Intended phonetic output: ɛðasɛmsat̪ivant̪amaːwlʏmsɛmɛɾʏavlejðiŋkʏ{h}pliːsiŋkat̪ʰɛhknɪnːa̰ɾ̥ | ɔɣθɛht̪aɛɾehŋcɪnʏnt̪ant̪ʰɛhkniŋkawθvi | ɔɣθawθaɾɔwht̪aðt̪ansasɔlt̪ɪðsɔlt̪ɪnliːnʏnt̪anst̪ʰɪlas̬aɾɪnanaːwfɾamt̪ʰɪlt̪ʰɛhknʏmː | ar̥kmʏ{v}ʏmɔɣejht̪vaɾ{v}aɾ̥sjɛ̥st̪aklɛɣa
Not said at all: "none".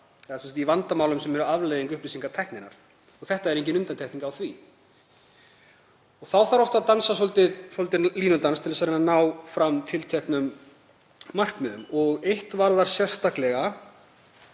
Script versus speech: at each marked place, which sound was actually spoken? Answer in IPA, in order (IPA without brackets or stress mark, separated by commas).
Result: h, ð, ð